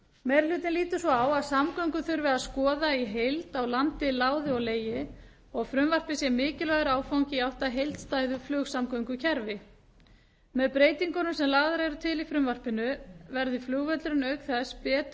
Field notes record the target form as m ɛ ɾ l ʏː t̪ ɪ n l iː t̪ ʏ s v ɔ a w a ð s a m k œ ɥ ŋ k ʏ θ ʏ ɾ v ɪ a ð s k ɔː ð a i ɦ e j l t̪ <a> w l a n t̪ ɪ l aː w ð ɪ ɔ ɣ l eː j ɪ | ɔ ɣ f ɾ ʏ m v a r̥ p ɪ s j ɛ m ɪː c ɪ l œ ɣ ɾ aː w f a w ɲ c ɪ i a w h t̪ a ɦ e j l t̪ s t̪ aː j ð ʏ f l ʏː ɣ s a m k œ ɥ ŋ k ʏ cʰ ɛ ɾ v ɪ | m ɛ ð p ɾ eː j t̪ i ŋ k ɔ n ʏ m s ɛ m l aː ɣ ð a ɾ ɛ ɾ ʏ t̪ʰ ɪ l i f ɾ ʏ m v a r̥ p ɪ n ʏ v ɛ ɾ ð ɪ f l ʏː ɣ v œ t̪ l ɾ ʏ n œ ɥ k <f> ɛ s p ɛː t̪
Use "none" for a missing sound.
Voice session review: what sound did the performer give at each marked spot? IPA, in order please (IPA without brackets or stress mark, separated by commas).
a, θ